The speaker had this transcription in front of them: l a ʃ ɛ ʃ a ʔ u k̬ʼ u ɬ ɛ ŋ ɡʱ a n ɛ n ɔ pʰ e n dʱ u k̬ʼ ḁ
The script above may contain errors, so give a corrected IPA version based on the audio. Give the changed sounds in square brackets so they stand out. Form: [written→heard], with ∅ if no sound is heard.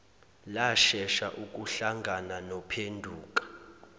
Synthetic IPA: l a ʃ ɛ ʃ a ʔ u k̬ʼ u ɬ [ɛ→a] ŋ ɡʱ a n [ɛ→a] n ɔ pʰ e n dʱ [u→uː] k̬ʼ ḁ